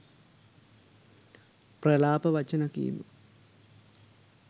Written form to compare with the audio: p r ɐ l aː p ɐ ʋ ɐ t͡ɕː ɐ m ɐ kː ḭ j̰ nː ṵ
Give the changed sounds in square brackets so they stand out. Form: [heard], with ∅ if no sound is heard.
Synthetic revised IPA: p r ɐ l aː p ɐ ʋ ɐ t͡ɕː ɐ [n] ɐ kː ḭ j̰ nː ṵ